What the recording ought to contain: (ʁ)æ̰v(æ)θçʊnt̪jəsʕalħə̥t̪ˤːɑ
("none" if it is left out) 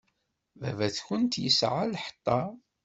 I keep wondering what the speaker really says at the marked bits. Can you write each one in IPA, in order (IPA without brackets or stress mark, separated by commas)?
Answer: v, æ